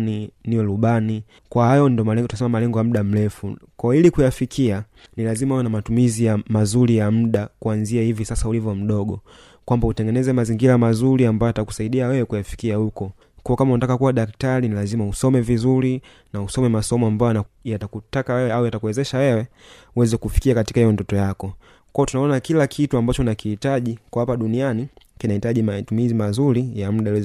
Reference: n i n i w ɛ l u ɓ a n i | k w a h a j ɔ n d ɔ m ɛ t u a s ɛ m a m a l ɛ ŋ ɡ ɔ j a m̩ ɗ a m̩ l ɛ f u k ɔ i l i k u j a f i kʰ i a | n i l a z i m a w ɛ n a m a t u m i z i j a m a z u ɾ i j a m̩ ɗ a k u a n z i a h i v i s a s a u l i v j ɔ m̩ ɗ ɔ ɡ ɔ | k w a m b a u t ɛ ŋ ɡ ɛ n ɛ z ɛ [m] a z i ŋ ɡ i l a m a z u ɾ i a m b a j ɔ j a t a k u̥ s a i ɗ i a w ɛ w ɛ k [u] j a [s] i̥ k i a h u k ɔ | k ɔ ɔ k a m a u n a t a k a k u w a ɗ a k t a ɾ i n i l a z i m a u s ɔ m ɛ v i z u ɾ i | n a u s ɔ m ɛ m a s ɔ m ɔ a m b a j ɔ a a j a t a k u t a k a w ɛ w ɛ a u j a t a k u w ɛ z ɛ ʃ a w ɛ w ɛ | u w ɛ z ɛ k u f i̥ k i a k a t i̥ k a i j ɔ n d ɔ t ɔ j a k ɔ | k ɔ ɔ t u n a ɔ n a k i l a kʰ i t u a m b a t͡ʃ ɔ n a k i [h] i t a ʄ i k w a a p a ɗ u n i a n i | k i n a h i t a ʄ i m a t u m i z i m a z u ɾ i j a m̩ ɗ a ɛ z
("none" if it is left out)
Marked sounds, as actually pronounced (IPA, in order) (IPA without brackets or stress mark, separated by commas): m, u, f, h